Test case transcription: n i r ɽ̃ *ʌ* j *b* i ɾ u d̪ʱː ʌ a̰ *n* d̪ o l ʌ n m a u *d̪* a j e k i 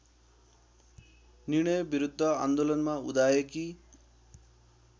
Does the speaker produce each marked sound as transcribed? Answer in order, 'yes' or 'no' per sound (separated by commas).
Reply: yes, yes, yes, yes